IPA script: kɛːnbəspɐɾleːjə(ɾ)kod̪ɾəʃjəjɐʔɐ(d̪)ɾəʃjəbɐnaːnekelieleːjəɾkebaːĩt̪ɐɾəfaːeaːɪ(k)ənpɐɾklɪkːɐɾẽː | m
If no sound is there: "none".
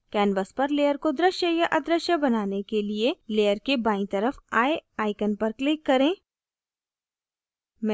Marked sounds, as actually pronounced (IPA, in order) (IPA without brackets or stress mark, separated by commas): ɾ, d̪, k